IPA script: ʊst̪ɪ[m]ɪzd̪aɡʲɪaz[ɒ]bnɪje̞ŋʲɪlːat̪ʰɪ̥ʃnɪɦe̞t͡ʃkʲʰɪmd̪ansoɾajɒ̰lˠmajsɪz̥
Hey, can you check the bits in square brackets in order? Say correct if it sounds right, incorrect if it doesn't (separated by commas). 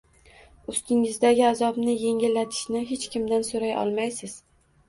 incorrect, correct